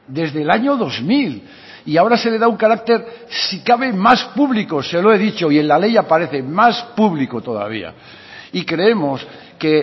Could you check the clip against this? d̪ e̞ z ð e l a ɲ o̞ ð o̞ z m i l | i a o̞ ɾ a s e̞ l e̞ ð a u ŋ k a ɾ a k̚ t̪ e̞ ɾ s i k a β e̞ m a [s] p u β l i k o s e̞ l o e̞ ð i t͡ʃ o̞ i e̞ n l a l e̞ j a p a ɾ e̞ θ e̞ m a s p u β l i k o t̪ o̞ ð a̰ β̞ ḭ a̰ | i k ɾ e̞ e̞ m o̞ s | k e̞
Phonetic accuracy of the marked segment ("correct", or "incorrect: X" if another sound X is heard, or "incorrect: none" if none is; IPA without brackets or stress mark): correct